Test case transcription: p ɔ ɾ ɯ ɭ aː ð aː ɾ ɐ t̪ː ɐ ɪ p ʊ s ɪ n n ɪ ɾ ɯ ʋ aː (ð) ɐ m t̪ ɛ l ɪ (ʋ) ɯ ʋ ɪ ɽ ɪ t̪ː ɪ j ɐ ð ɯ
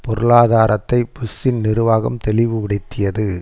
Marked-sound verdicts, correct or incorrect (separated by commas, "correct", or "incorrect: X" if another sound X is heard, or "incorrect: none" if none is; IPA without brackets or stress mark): incorrect: ɣ, correct